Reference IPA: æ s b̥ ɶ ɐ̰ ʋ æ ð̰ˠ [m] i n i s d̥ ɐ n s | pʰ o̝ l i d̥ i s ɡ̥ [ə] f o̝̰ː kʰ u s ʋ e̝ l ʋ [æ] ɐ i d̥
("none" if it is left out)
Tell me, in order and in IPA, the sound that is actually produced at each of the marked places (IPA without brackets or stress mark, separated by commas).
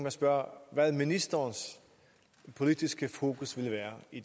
m, ə, æː